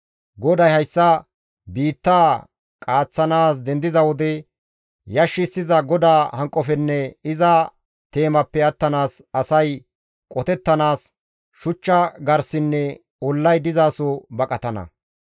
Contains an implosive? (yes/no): no